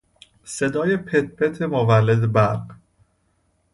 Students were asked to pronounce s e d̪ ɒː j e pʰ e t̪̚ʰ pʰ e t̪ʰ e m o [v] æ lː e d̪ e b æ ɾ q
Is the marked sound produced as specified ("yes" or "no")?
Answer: yes